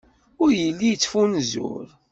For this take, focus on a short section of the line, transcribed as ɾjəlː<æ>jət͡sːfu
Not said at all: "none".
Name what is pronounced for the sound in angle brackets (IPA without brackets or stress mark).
i